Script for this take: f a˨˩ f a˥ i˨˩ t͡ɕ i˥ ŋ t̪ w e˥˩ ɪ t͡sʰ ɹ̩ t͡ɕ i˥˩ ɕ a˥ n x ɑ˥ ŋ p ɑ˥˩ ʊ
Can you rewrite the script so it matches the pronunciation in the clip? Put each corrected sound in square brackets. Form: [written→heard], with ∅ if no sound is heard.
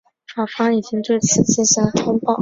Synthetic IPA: f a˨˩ f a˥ i˨˩ t͡ɕ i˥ ŋ t̪ w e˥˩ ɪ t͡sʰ ɹ̩ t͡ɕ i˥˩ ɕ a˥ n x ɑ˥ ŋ p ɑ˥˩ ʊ